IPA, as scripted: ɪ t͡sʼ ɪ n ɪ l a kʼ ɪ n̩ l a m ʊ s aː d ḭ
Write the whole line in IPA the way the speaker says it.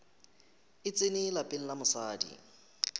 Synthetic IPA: ɪ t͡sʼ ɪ n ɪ l a pʼ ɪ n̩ l a m ʊ s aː d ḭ